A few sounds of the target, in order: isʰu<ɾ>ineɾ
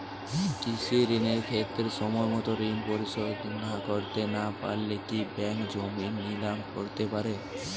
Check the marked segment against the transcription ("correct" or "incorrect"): correct